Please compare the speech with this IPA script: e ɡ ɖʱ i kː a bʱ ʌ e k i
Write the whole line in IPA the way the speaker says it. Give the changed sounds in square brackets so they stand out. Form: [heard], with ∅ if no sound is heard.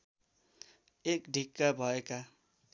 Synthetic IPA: e [k] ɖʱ i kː a bʱ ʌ e k [a]

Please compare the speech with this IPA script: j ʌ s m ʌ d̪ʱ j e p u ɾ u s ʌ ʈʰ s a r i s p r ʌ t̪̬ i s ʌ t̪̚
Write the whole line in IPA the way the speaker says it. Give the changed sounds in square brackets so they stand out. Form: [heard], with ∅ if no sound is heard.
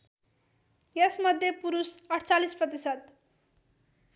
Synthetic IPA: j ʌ s m ʌ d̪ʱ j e p u ɾ u s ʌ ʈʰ [t͡s] a [l] i s p r ʌ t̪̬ i s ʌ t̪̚

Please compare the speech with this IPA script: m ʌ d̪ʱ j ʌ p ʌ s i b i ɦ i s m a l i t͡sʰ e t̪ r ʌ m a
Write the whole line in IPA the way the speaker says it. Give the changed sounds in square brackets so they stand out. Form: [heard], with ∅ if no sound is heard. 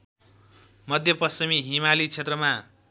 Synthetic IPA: m ʌ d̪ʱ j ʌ p ʌ s i [m] i ɦ i [∅] m a l i t͡sʰ e t̪ r ʌ m a

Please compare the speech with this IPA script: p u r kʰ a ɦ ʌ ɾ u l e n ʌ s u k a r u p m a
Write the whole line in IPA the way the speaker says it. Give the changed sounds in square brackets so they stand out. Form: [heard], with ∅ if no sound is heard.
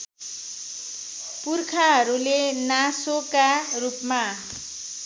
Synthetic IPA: p u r kʰ a ɦ ʌ ɾ u l e n [a] s [o] k a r u p m a

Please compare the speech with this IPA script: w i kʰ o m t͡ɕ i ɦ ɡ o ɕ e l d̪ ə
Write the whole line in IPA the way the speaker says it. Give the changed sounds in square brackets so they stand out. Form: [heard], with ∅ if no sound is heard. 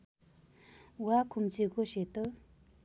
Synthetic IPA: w [a] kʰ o m t͡ɕ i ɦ ɡ o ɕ e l [t̪] ə

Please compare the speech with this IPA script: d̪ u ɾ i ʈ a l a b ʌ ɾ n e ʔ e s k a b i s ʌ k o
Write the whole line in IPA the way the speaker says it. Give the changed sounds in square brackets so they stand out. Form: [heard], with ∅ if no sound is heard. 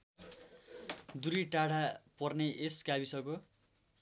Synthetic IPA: d̪ u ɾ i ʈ a [ɽ] a [p] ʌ [r] n e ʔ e s k a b i s ʌ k o

